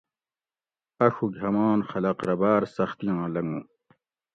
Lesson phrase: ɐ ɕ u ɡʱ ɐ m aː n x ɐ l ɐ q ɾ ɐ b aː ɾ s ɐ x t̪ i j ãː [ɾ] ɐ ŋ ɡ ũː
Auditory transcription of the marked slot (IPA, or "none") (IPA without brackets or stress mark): l